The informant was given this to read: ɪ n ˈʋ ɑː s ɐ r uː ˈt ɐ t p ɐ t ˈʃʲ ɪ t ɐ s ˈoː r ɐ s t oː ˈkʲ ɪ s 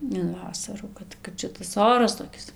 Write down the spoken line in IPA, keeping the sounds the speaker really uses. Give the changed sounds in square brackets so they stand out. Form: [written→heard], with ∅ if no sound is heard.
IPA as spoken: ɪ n ˈʋ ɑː s ɐ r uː [ˈt→ˈk] ɐ t [p→k] ɐ t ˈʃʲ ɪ t ɐ s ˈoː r ɐ s t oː ˈkʲ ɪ s